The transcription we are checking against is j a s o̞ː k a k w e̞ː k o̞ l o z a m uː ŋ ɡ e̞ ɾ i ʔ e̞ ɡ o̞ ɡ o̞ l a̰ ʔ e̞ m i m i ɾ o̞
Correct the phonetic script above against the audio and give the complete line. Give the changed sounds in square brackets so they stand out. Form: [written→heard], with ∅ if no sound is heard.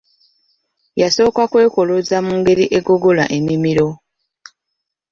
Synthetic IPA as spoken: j a s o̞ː k a k w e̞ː k o̞ l o z a m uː ŋ ɡ e̞ ɾ i ʔ e̞ ɡ o̞ ɡ o̞ l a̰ ʔ e̞ m i m i ɾ o̞